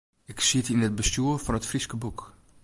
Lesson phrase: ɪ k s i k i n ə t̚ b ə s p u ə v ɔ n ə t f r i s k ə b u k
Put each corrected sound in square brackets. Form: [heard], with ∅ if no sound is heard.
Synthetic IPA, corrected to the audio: ɪ k s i [t] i n ə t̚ b ə s [t] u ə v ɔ n ə t f r i s k ə b u k

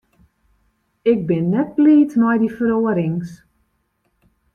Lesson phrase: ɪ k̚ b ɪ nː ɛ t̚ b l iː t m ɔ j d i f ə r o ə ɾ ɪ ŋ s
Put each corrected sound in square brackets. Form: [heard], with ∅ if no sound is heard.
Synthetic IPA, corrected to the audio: ɪ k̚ b ɪ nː ɛ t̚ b l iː t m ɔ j d i f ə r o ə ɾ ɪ ŋ s

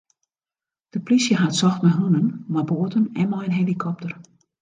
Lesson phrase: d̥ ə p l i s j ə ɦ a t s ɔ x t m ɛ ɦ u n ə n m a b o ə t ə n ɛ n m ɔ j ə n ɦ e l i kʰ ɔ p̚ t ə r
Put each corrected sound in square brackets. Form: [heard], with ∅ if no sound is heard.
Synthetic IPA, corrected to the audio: d̥ ə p l i s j ə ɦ a t s ɔ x t m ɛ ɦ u n ə n m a b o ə t ə n ɛ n m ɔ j ə n ɦ e l i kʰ ɔ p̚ t ə r

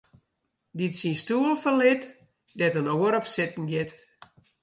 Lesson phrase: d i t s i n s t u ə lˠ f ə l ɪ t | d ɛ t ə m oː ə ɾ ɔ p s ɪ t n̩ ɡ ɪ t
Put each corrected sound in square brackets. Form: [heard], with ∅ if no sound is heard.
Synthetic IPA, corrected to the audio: d i t s i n s t u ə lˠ f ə l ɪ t | d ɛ t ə [n] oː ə ɾ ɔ p s ɪ t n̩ ɡ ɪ t

